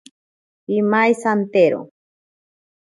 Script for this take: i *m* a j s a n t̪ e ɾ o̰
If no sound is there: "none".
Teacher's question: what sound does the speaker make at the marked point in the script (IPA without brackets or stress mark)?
m